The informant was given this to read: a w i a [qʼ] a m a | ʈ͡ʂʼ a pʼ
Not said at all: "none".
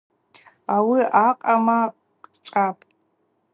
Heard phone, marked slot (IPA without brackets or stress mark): qʼ